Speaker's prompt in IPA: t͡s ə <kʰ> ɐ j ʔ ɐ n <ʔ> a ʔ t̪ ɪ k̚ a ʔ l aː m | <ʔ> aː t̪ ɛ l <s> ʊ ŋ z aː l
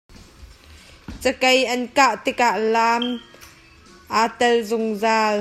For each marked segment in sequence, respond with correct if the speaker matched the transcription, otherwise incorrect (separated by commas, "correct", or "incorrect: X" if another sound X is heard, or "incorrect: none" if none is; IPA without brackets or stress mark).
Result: incorrect: k, incorrect: k, correct, incorrect: z